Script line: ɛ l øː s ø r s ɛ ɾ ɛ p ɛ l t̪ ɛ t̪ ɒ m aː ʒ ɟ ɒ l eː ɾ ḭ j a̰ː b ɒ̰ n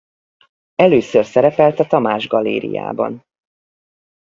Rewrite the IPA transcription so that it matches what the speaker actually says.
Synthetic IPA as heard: ɛ l øː s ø r s ɛ ɾ ɛ p ɛ l t̪ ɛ t̪ ɒ m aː ʒ ɡ ɒ l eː ɾ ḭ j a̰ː b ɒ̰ n